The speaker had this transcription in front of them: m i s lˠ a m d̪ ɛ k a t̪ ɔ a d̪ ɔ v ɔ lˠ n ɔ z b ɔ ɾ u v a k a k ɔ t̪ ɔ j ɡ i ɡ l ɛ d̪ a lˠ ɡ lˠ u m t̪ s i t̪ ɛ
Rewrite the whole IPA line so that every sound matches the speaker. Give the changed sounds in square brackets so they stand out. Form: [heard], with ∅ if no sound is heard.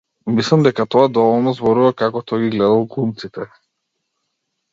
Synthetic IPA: m i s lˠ a m d̪ ɛ k a t̪ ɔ a d̪ ɔ v ɔ lˠ n ɔ z b ɔ ɾ u v a k a k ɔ t̪ ɔ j ɡ i ɡ l ɛ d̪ a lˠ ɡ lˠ u m t̪ s i t̪ ɛ